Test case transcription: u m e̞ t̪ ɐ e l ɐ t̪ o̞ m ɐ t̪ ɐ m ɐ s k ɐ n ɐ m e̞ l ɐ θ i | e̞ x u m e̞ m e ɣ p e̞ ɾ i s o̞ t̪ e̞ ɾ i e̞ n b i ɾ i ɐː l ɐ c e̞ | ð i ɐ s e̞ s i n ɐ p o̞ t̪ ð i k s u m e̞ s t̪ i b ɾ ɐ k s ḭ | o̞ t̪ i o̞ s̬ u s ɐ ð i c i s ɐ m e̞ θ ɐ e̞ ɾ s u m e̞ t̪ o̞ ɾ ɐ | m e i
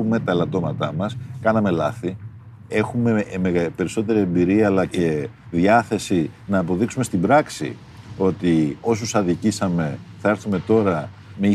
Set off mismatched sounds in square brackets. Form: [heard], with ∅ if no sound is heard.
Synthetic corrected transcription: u m e̞ t̪ ɐ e l ɐ t̪ o̞ m ɐ t̪ ɐ m ɐ s k ɐ n ɐ m e̞ l ɐ θ i | e̞ x u m e̞ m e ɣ p e̞ ɾ i s o̞ t̪ e̞ ɾ i e̞ [m] b i ɾ i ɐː l ɐ c e̞ | ð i ɐ [θ] e̞ s i n [ɐː] p o̞ [∅] ð i k s u m e̞ s t̪ i b ɾ ɐ k s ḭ | o̞ t̪ i o̞ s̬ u s ɐ ð i c i s ɐ m e̞ θ ɐ e̞ ɾ [θ] u m e̞ t̪ o̞ ɾ ɐ | m e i